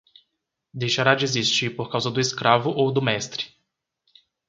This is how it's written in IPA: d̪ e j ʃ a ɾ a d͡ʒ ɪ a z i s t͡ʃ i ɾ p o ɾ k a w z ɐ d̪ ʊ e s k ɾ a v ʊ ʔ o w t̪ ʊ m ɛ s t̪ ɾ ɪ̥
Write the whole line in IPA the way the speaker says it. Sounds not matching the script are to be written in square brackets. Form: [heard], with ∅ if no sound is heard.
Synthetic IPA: d̪ e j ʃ a ɾ a d͡ʒ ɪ [e] z i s t͡ʃ i ɾ p o ɾ k a w z ɐ d̪ ʊ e s k ɾ a v ʊ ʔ o w [d̪] ʊ m ɛ s t̪ ɾ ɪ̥